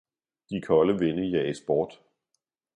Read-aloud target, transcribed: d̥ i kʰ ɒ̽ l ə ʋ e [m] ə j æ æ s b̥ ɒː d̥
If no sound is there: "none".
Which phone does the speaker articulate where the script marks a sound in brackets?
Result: n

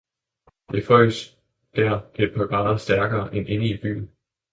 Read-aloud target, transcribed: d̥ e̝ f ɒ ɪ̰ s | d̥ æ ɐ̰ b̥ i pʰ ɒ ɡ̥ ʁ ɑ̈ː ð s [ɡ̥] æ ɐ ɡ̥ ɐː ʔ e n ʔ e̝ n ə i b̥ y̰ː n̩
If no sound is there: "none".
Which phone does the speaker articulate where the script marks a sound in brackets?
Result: d̥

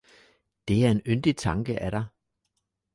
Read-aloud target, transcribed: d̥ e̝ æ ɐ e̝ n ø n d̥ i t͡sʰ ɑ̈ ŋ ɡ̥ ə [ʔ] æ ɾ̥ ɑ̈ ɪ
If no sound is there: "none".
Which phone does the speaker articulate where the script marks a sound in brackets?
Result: ʔ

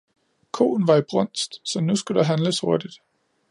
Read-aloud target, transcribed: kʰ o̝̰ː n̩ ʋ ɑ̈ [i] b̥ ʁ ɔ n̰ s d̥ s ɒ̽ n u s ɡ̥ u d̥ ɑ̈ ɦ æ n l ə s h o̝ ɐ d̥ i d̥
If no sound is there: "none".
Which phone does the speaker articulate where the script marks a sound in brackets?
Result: i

